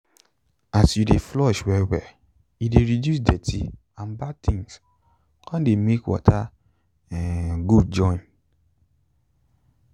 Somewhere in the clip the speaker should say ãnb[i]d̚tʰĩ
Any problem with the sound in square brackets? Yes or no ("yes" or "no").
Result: yes